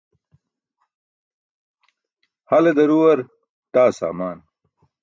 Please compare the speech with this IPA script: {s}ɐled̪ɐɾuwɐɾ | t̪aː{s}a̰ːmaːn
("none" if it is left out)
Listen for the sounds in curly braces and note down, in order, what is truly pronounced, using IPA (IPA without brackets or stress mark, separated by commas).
h, s